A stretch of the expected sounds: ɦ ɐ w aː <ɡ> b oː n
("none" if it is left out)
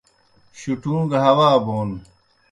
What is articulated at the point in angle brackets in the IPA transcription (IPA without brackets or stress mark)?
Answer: none